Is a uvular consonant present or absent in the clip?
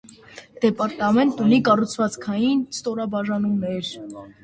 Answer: absent